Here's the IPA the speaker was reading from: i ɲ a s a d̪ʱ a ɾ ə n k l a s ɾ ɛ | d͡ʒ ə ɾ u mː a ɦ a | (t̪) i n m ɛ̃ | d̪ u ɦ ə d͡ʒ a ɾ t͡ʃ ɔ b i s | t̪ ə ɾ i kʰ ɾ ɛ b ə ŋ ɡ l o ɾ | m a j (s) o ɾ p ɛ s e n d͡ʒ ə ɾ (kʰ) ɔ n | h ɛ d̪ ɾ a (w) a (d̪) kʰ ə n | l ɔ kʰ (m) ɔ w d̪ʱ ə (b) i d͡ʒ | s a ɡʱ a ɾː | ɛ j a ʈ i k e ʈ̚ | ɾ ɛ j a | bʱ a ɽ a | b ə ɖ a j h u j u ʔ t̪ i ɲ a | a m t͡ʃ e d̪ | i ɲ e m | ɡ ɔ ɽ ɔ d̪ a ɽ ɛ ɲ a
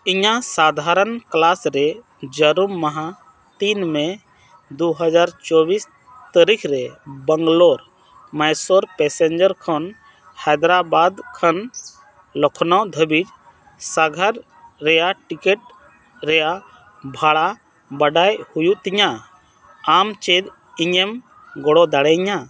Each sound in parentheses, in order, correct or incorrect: correct, correct, correct, incorrect, correct, incorrect, correct

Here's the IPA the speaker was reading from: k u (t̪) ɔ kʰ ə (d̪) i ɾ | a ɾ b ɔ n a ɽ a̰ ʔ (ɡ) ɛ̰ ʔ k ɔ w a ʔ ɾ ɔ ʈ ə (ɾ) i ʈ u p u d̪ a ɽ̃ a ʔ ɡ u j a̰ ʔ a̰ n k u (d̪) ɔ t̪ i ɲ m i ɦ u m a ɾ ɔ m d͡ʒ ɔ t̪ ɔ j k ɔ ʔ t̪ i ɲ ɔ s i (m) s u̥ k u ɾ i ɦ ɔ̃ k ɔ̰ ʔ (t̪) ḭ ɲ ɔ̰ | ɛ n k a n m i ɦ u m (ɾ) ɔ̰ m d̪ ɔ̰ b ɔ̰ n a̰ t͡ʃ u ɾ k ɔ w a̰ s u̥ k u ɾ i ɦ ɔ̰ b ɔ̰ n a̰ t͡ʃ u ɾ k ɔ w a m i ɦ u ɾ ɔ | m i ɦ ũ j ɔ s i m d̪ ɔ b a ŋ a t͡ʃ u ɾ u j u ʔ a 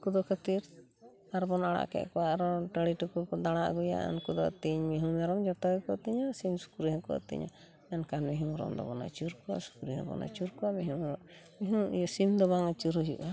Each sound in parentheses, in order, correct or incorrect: incorrect, incorrect, incorrect, incorrect, correct, correct, correct, correct

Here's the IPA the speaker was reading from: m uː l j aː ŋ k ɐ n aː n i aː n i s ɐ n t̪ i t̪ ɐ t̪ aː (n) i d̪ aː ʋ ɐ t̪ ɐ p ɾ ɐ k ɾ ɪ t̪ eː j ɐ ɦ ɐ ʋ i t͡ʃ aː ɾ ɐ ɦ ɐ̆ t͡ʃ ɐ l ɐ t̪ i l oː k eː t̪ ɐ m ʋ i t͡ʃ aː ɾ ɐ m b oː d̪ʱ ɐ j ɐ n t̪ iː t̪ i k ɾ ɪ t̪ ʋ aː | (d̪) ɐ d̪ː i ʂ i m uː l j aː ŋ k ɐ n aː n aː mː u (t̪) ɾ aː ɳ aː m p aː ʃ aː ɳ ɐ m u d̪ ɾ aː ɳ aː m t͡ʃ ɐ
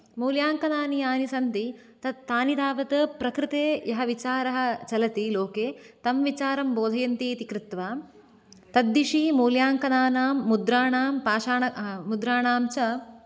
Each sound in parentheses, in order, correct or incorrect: correct, incorrect, incorrect

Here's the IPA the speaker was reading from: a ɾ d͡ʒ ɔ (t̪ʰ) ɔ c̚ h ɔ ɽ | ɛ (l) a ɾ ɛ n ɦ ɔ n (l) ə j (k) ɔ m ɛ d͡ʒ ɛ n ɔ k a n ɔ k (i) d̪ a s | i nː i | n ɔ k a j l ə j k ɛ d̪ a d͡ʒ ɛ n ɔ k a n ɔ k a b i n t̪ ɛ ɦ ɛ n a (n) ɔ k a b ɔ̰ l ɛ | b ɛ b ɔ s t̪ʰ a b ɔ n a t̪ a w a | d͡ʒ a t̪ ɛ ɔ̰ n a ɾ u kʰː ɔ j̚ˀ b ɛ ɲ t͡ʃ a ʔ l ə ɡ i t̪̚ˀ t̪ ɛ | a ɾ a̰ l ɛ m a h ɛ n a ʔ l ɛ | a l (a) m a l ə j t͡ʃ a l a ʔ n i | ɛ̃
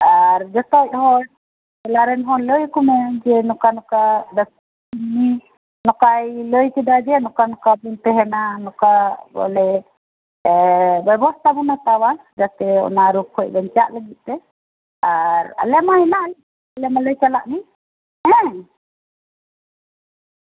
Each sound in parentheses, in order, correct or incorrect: incorrect, correct, correct, correct, incorrect, correct, incorrect

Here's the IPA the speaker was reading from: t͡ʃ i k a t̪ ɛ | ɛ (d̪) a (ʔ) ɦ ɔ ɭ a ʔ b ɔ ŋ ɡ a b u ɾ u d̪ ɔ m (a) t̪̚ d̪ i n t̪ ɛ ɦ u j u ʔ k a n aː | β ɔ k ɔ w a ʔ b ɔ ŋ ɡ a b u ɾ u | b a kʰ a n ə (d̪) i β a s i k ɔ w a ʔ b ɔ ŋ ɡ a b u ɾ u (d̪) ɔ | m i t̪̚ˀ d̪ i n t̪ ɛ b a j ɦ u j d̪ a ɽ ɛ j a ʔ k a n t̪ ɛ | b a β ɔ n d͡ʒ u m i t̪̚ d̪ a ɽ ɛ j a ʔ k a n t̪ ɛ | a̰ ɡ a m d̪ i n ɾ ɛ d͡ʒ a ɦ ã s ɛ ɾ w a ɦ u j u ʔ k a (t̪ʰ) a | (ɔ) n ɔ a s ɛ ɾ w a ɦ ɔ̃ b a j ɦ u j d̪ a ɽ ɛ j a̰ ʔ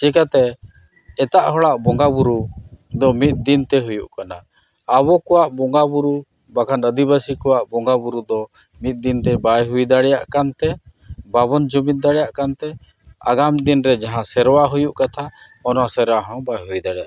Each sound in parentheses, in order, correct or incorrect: incorrect, correct, incorrect, correct, correct, correct, correct

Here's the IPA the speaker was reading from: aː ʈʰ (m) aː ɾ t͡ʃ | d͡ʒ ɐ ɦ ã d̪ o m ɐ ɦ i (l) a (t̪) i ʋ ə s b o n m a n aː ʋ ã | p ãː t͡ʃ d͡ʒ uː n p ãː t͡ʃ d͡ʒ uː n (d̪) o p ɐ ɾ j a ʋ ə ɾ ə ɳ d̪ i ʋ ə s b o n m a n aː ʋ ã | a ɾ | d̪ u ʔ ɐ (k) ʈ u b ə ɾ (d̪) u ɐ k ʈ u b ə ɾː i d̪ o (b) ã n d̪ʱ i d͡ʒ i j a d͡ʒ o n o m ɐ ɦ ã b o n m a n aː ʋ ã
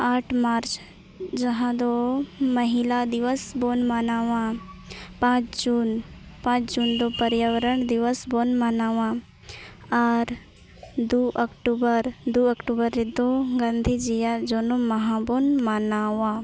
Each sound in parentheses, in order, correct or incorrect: correct, correct, incorrect, correct, correct, correct, incorrect

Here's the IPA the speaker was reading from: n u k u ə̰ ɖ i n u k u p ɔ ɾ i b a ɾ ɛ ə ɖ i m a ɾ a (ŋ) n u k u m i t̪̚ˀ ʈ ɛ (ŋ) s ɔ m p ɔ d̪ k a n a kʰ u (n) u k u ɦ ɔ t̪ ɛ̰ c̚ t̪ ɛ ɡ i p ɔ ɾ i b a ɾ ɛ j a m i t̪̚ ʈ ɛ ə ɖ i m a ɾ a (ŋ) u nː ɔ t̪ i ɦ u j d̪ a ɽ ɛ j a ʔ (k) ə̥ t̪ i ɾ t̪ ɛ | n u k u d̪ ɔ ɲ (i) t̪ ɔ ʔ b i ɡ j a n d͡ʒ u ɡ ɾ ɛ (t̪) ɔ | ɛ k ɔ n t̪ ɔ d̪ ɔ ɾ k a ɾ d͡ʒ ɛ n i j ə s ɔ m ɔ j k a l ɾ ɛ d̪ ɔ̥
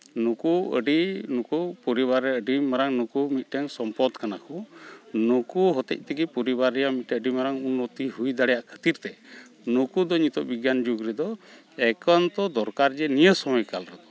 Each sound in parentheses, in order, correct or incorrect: correct, correct, correct, correct, incorrect, correct, incorrect

